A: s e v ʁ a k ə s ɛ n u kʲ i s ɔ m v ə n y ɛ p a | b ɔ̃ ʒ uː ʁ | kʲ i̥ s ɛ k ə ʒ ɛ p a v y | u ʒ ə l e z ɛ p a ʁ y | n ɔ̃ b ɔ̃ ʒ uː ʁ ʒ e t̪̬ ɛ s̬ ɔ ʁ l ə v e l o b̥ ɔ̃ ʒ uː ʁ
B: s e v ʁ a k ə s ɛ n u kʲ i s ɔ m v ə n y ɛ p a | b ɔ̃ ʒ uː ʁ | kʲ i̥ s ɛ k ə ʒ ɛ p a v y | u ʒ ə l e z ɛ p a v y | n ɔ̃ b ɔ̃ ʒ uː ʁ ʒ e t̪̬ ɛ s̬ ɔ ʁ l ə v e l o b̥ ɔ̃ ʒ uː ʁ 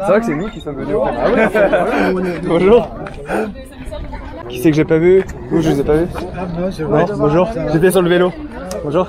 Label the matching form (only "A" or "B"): B